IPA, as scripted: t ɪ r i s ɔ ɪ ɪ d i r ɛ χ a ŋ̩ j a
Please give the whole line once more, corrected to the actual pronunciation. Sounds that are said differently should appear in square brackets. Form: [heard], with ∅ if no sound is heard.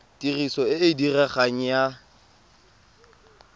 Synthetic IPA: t [i] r i s ɔ ɪ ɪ d i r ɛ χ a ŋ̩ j a